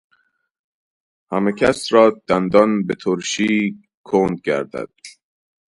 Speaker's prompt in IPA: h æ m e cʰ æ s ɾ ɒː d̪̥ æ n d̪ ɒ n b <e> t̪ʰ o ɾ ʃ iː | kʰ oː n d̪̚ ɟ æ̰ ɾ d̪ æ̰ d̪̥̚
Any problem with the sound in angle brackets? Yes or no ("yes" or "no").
no